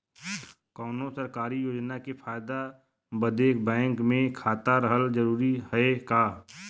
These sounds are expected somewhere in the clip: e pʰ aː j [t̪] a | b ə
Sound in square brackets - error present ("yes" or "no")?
yes